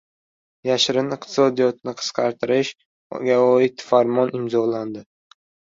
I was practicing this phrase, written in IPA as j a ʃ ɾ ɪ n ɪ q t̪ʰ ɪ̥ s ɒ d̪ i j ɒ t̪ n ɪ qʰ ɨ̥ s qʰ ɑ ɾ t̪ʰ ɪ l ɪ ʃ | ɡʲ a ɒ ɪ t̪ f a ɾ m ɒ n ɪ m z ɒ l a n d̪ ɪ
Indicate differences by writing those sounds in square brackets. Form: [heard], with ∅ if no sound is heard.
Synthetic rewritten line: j a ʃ ɾ ɪ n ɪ q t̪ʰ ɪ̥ s ɒ d̪ i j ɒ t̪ n ɪ qʰ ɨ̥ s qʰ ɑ ɾ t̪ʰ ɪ [ɾ] ɪ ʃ | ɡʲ a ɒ ɪ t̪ f a ɾ m ɒ n ɪ m z ɒ l a n d̪ ɪ